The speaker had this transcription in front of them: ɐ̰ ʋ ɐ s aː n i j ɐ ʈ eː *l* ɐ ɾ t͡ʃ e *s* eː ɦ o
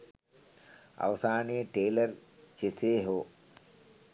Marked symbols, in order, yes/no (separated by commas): yes, yes